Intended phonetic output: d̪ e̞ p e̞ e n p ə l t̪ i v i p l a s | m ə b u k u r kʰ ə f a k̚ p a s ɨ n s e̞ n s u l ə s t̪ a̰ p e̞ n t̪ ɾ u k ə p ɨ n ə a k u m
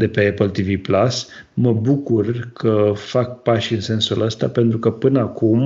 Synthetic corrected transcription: d̪ e̞ p e̞ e p ə l t̪ i v i p l a s | m ə b u k u r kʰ ə f a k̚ p a ʃ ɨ n s e̞ n s u l ə s t̪ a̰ p e̞ n t̪ ɾ u k ə p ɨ n ə a k u m